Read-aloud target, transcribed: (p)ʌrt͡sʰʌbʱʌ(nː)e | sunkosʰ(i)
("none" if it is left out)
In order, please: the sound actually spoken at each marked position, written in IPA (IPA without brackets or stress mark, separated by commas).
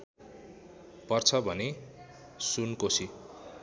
p, n, i